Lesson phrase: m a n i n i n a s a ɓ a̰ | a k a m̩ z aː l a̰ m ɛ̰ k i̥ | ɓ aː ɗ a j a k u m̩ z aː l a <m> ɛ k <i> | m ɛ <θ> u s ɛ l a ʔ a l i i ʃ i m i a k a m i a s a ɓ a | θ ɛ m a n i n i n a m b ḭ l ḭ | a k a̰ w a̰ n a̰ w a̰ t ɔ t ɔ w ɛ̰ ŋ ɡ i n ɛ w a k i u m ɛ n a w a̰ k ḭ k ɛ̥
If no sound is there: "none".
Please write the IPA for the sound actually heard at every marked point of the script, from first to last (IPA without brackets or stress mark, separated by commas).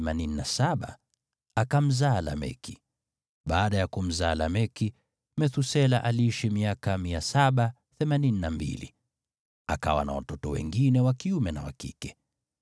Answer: m, i, θ